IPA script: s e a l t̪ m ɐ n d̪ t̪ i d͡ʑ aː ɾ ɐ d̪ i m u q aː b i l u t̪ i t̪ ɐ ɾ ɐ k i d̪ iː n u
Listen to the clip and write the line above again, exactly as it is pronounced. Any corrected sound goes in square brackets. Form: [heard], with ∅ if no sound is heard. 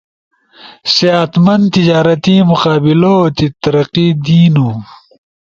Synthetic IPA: s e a [∅] t̪ m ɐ n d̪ t̪ i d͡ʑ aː ɾ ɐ [t̪] i m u q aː b i l [o] t̪ i t̪ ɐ ɾ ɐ [q] i d̪ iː n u